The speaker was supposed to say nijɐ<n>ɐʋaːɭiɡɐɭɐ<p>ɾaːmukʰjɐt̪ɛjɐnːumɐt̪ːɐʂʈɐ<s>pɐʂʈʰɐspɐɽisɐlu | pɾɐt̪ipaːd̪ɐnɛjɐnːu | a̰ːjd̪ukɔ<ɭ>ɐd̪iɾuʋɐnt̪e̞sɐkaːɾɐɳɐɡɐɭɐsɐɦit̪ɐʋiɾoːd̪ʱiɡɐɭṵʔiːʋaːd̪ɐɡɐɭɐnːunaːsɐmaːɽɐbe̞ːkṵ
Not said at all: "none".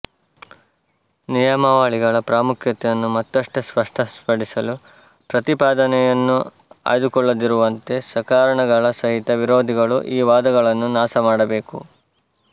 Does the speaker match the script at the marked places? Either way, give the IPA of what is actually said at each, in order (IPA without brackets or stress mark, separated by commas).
m, p, s, ɭː